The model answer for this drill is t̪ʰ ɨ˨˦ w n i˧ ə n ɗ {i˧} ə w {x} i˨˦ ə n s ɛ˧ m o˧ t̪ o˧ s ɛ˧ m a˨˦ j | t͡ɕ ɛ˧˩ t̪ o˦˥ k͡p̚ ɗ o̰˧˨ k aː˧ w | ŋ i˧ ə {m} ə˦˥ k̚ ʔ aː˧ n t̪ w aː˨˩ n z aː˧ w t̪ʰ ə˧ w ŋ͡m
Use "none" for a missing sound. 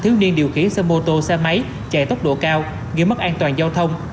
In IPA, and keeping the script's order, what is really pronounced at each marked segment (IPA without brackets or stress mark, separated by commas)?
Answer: i˨˩, x, m